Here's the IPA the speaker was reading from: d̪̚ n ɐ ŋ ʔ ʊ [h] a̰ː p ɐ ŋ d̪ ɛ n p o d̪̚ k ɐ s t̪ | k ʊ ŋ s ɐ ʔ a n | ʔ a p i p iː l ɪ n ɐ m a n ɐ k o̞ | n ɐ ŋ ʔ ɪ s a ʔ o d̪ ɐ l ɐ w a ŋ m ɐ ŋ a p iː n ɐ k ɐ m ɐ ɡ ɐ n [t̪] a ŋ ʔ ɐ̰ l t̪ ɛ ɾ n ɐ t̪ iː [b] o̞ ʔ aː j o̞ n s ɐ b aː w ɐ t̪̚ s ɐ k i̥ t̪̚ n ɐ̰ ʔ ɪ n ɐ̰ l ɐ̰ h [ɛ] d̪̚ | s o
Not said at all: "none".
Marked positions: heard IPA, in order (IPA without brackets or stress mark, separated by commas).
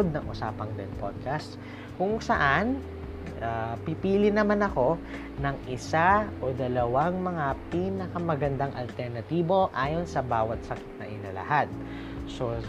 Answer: s, d̪, b, a